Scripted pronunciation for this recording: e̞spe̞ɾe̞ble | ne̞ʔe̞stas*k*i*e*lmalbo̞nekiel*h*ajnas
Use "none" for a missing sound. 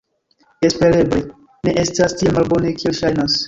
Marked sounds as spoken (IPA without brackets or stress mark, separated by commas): t, e, ʃ